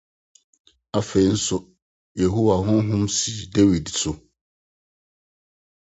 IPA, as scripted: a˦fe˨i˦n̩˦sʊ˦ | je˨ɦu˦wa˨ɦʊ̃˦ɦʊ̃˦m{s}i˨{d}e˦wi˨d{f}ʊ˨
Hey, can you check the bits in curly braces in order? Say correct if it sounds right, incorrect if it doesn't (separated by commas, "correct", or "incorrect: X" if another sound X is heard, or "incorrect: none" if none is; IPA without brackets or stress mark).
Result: correct, correct, incorrect: s